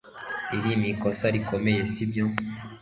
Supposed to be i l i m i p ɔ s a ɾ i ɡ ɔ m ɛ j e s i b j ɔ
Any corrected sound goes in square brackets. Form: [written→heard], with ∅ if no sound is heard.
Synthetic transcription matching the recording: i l i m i [p→k] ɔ s a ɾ i [ɡ→k] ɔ m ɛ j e s i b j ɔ